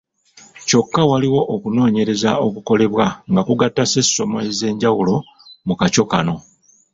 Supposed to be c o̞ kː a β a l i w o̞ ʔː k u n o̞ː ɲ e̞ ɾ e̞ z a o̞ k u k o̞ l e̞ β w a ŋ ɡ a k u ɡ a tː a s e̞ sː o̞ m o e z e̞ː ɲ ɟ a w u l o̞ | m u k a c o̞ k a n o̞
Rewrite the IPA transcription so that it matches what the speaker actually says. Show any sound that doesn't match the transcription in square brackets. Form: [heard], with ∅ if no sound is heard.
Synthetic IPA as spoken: c o̞ kː a [w] a l i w o̞ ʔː k u n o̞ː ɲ e̞ ɾ e̞ z a o̞ k u k o̞ l e̞ β w a ŋ ɡ a k u ɡ a tː a s e̞ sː o̞ m o e z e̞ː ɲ ɟ a w u l o̞ | m u k a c o̞ k a n o̞